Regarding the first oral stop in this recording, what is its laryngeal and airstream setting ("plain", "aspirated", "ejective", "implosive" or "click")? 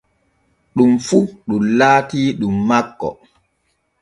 implosive